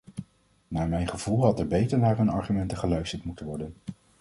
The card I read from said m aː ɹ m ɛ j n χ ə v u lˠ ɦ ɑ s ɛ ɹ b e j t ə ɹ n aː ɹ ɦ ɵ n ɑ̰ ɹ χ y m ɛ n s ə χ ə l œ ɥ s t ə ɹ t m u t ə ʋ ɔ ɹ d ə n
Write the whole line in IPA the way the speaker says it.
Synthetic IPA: n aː ɹ m ɛ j n χ ə v u lˠ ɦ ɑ t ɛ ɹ b e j t ə ɹ n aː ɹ ɦ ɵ n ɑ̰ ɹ χ y m ɛ n t ə χ ə l œ ɥ s t ə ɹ t m u t ə ʋ ɔ ɹ d ə n